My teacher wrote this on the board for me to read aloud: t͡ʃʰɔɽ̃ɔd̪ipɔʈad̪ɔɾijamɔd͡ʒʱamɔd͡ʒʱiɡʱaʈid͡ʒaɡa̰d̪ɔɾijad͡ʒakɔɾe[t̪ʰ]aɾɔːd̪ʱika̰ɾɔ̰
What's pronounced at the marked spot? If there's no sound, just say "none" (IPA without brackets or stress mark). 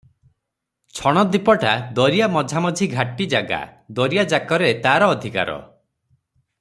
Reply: t̪